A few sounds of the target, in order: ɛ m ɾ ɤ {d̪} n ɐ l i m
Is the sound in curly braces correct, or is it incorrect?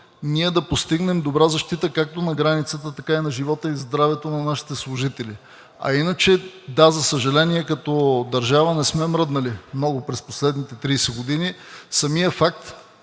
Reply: correct